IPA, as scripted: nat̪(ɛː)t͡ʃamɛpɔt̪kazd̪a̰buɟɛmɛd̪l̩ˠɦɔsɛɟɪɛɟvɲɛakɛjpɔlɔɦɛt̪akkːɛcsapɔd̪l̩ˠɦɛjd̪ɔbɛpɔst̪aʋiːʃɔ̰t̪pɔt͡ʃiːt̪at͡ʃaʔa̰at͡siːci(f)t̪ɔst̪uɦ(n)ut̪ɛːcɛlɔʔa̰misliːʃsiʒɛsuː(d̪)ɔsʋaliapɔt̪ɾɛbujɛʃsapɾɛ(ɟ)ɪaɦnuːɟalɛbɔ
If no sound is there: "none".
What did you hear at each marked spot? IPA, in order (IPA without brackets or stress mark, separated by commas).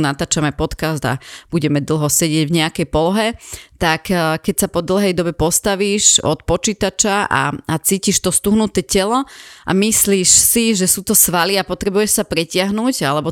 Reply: aː, ʃ, n, t̪, c